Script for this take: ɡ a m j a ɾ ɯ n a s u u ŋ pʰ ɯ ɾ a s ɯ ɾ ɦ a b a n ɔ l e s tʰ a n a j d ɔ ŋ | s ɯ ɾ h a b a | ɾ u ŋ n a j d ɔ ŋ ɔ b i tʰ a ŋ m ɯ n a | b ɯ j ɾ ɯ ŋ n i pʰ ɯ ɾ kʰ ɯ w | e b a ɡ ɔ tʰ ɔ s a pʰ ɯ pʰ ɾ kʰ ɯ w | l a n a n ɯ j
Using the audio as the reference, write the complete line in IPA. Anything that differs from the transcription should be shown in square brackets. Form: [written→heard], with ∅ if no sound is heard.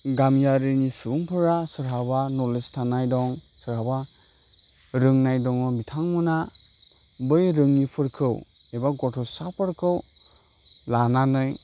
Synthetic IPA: ɡ a m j a ɾ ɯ n [a→i] s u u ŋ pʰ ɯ ɾ a s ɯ ɾ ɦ a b a n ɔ l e s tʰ a n a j d ɔ ŋ | s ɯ ɾ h a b a | ɾ [u→ɯ] ŋ n a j d ɔ ŋ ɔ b i tʰ a ŋ m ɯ n a | b ɯ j ɾ ɯ ŋ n i pʰ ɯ ɾ kʰ ɯ w | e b a ɡ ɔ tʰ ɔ s a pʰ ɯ [pʰ→∅] ɾ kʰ ɯ w | l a n a n ɯ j